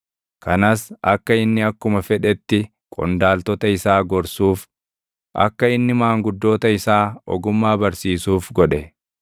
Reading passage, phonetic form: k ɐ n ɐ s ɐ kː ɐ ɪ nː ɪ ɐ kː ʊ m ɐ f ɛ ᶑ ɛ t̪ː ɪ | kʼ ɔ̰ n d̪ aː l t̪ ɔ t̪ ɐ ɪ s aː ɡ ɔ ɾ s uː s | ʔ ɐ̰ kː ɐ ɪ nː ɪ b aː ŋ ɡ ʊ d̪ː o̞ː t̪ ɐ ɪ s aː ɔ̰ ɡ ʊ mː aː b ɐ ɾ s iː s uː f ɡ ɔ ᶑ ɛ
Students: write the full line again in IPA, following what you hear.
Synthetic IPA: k ɐ n ɐ s ɐ kː ɐ ɪ nː ɪ ɐ kː ʊ m ɐ f ɛ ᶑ ɛ t̪ː ɪ | kʼ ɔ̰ n d̪ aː l t̪ ɔ t̪ ɐ ɪ s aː ɡ ɔ ɾ s uː f | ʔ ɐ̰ kː ɐ ɪ nː ɪ m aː ŋ ɡ ʊ d̪ː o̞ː t̪ ɐ ɪ s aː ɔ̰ ɡ ʊ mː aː b ɐ ɾ s iː s uː f ɡ ɔ ᶑ ɛ

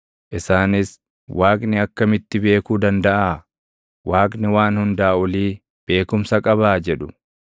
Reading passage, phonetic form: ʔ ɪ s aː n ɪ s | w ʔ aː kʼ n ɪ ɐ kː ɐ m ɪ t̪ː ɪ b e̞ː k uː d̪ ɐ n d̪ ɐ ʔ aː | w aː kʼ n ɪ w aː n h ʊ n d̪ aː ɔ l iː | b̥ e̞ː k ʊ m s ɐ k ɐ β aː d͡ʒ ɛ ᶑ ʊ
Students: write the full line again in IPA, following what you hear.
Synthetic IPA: ʔ ɪ s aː n ɪ s | w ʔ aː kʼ n ɪ ɐ kː ɐ m ɪ t̪ː ɪ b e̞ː k uː d̪ ɐ n d̪ ɐ ʔ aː | w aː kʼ n ɪ w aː n h ʊ n d̪ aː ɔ l iː | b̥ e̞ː k ʊ m s ɐ kʼ ɐ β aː d͡ʒ ɛ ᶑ ʊ

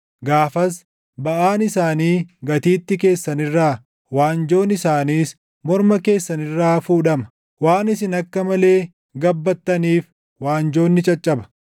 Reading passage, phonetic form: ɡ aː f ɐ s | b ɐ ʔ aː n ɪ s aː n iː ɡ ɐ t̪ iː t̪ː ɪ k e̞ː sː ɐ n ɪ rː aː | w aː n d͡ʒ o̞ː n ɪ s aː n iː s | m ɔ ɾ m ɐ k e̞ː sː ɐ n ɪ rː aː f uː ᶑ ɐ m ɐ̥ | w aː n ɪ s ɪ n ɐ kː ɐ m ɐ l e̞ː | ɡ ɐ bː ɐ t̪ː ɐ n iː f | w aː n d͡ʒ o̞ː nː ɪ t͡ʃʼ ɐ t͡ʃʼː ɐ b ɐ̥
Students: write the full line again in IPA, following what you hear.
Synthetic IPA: ɡ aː f ɐ s | b ɐ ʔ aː n ɪ s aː n iː ɡ ɐ t̪ iː t̪ː ɪ k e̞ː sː ɐ n ɪ rː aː | w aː n d͡ʒ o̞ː n ɪ s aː n iː s | m ɔ ɾ m ɐ k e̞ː sː ɐ n ɪ rː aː f uː ᶑ ɐ m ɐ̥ | w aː n ɪ s ɪ n ɐ kː ɐ m ɐ l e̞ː | ɡ ɐ bː ɐ t̪ː ɐ n iː f | w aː n d͡ʒ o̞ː nː ɪ t͡ʃʼ ɐ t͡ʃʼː ɐ b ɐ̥

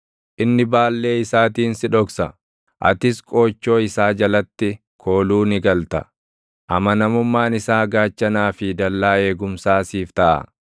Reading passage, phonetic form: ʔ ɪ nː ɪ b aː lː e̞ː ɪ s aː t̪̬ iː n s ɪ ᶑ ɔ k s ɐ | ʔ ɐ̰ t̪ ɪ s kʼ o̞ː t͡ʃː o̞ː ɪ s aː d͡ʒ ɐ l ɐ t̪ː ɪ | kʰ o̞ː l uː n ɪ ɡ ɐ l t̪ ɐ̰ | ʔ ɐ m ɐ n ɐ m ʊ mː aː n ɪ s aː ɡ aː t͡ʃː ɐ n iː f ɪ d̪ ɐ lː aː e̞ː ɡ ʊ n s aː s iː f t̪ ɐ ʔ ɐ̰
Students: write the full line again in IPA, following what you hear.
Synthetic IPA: ʔ ɪ nː ɪ b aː lː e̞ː ɪ s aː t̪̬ iː n s ɪ ᶑ ɔ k s ɐ | ʔ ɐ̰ t̪ ɪ s kʼ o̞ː t͡ʃː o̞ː ɪ s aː d͡ʒ ɐ l ɐ t̪ː ɪ | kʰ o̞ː l uː n ɪ ɡ ɐ l t̪ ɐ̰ | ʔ ɐ m ɐ n ɐ m ʊ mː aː n ɪ s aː ɡ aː t͡ʃː ɐ n aː f ɪ d̪ ɐ lː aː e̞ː ɡ ʊ m s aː s iː f t̪ ɐ ʔ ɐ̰

